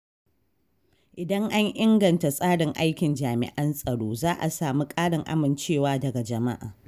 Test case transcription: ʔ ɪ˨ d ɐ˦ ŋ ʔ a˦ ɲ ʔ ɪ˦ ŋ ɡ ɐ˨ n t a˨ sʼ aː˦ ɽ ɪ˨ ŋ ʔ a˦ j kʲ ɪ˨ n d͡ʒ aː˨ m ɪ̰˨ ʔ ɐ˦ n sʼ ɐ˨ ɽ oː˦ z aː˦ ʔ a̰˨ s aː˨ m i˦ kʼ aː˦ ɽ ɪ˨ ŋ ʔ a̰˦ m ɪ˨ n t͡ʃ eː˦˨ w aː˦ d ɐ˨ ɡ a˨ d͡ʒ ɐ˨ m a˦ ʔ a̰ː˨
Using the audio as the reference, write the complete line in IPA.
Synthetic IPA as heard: ʔ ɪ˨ d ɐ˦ ŋ ʔ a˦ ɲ ʔ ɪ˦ ŋ ɡ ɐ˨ n t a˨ sʼ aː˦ ɽ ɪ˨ ŋ ʔ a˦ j kʲ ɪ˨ n d͡ʒ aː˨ m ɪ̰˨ ʔ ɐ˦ n sʼ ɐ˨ ɽ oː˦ z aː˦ ʔ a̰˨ s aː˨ m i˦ kʼ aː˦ ɽ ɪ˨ ŋ ʔ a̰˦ m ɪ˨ n t͡ʃ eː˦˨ w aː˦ d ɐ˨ ɡ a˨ d͡ʒ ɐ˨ m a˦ ʔ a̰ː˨